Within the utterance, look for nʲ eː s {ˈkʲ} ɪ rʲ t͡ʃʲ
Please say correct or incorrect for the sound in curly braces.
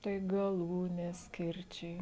correct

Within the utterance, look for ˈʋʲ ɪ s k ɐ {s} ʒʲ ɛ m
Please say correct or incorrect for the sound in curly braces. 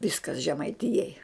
correct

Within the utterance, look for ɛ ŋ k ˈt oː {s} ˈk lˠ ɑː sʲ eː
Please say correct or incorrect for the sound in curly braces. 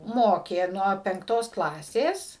correct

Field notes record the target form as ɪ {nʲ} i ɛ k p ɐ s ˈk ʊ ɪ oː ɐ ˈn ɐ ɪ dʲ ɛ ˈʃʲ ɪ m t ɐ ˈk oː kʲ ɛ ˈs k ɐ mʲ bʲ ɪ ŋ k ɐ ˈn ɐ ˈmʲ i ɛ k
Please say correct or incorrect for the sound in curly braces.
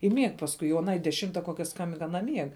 incorrect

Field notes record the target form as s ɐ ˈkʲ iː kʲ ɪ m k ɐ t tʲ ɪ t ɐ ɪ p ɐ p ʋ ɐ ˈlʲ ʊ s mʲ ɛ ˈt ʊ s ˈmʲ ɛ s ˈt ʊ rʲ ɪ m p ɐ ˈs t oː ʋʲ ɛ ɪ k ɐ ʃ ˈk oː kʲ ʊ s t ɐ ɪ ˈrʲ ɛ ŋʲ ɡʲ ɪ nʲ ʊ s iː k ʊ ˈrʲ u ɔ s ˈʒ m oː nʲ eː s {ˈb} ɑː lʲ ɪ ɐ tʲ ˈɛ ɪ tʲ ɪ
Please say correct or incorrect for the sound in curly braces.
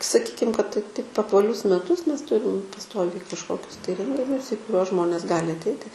incorrect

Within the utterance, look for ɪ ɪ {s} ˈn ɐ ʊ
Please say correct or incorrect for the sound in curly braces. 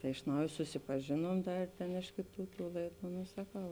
incorrect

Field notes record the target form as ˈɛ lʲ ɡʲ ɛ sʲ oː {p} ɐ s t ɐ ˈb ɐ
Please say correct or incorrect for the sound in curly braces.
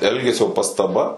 correct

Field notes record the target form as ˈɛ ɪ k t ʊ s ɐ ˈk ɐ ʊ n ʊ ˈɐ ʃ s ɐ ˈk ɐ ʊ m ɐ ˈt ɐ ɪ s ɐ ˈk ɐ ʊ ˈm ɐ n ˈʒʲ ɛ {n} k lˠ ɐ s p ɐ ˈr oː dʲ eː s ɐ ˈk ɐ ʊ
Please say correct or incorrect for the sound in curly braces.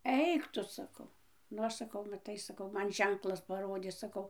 incorrect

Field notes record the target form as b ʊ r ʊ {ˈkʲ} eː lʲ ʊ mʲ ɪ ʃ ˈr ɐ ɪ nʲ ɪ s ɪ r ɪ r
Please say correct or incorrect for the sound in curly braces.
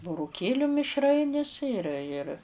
correct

